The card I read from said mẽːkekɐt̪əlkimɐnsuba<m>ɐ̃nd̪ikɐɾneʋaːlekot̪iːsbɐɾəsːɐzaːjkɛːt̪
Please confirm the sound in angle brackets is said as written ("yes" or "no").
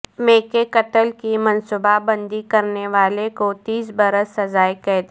no